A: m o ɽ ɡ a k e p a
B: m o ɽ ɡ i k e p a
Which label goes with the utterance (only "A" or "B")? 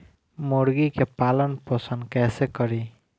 B